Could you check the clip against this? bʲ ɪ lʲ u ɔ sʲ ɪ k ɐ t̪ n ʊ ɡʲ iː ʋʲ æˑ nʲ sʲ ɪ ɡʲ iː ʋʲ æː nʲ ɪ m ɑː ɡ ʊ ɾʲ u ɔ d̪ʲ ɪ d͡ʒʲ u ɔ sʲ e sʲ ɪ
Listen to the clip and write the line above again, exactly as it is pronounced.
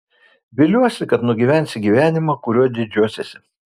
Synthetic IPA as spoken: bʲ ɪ lʲ u ɔ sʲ ɪ k ɐ t̪ n ʊ ɡʲ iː ʋʲ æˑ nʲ sʲ ɪ ɡʲ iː ʋʲ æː nʲ ɪ m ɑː k ʊ ɾʲ u ɔ d̪ʲ ɪ d͡ʒʲ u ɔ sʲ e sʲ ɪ